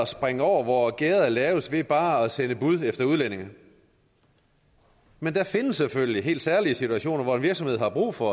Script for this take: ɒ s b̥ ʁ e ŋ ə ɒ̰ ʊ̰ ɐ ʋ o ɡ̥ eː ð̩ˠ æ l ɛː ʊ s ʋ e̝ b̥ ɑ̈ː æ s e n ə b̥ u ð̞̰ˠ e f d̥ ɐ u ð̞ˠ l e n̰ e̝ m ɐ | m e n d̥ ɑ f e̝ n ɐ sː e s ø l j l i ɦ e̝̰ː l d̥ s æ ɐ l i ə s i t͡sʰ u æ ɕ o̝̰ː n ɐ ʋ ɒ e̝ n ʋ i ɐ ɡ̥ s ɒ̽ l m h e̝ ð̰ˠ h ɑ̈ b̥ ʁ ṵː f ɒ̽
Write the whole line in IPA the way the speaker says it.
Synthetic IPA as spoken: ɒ s b̥ ʁ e ŋ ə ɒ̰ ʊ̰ ɐ ʋ ɒ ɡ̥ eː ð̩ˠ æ l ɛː ʊ s ʋ e̝ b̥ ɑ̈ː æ s e n ə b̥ u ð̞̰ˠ e f d̥ ɐ u ð̞ˠ l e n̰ e̝ ŋ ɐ | m e n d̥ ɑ f e̝ n ə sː e f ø l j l i ɦ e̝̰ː l d̥ s æ ɐ l i ə s i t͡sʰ u æ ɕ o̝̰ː n ɐ ʋ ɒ e̝ n ʋ i ɐ ɡ̥ s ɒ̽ m h e̝ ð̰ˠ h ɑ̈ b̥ ʁ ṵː f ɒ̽